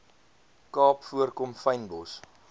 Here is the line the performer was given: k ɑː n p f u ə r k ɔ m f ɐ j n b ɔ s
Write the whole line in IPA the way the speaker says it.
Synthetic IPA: k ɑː p f u ə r k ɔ m f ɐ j n b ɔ s

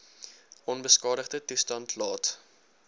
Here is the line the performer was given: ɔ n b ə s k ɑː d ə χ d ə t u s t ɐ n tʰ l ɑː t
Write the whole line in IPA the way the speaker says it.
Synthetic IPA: ɔ n b ə s k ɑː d ə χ d ə t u s t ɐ n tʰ l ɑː t

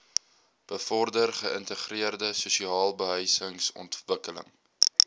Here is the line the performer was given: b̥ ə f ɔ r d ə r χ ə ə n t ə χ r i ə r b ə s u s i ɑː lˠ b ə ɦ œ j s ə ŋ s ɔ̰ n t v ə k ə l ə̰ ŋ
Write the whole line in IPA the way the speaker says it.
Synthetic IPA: b̥ ə f ɔ r d ə r χ ə ə n t ə χ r i ə r d ə s u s i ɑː lˠ b ə ɦ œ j s ə ŋ s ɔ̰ n t v ə k ə l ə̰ ŋ

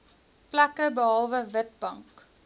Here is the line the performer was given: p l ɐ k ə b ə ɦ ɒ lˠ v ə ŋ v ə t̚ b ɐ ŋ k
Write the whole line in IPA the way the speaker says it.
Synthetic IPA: p l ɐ k ə b ə ɦ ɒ lˠ v ə v ə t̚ b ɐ ŋ k

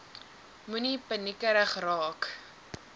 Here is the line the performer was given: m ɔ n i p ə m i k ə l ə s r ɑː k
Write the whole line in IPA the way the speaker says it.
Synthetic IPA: m u n i p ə n i k ə ɾ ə χ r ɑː k

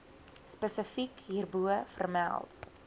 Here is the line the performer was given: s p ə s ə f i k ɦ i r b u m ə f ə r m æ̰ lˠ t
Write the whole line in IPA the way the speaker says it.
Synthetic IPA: s p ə s ə f i k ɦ i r b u ə f ə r m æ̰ lˠ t

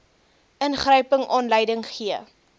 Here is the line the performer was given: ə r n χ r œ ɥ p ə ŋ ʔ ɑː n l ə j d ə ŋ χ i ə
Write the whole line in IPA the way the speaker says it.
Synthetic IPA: ə n χ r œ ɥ p ə ŋ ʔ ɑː n l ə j d ə ŋ χ i ə

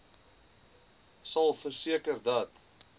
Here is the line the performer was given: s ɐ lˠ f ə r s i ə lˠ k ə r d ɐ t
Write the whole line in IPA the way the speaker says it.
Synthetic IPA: s ɐ lˠ f ə r s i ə k ə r d ɐ t

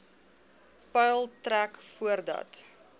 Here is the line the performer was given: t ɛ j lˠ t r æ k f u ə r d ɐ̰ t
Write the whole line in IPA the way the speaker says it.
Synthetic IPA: p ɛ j lˠ t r æ k f u ə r d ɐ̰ t

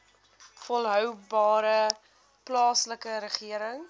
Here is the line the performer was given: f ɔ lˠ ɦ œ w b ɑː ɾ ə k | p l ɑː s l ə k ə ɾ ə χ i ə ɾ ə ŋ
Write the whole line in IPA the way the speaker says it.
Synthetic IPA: f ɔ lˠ ɦ œ w b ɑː ɾ ə | p l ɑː s l ə k ə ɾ ə χ i ə ɾ ə ŋ

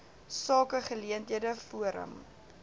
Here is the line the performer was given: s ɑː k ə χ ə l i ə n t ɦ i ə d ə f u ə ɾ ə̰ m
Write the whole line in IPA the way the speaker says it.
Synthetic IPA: s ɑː k ə χ ə l i ə n t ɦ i ə d ə f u ə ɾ ə̰ m

